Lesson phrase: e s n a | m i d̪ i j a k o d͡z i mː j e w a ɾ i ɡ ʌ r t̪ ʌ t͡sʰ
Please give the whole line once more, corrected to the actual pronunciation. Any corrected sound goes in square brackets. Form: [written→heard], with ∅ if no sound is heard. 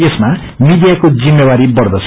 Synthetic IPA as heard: e s [n→m] a | m i d̪ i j a k o d͡z i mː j e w a ɾ i [ɡ→b] ʌ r [t̪→d̪] ʌ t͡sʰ